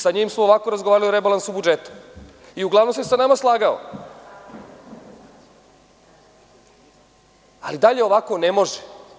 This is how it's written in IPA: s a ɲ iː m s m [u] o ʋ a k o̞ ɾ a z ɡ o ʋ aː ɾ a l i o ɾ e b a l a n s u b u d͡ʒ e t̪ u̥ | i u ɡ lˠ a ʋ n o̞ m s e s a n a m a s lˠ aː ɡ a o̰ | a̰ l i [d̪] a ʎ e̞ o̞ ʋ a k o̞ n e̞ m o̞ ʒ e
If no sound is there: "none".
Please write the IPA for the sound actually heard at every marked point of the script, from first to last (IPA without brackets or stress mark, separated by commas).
o, d̪